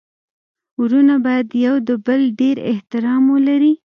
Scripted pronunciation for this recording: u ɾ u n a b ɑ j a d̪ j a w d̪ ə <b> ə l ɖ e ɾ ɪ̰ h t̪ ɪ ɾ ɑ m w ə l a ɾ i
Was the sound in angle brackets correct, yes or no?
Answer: yes